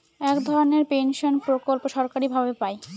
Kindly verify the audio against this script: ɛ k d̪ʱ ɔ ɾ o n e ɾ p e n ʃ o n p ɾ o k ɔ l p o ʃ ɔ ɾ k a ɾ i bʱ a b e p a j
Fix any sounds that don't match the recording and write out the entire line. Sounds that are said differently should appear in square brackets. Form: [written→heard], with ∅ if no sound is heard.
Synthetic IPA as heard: ɛ k d̪ʱ ɔ ɾ o n e ɾ p e n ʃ o n p ɾ o k [ɔ→o] l p o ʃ ɔ ɾ k a ɾ i bʱ a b e p a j

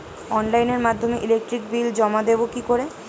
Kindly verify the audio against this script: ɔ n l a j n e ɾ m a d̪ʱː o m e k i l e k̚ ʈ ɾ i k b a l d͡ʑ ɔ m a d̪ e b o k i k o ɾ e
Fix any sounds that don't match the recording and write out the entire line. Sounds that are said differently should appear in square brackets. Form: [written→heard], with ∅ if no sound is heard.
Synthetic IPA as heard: ɔ n l a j n e ɾ m a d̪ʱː o m e [k→ʔ] i l e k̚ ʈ ɾ i k b [a→i] l d͡ʑ ɔ m a d̪ e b o k i k o ɾ e

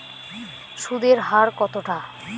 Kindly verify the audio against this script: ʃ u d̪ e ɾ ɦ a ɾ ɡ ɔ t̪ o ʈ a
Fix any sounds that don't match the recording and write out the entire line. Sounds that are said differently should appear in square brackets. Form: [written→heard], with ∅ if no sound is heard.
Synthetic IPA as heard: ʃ u d̪ e ɾ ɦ a ɾ [ɡ→k] ɔ t̪ o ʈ a

